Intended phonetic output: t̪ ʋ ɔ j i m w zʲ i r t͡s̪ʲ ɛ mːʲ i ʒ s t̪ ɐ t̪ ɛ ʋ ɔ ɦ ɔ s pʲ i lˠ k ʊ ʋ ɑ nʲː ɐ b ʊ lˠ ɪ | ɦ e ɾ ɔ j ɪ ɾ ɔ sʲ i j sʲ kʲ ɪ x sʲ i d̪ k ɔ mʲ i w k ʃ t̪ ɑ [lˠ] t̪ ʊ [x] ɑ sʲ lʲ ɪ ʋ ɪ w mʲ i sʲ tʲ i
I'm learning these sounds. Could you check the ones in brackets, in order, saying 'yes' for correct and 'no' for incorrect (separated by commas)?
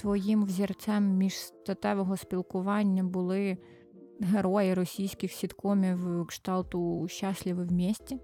yes, no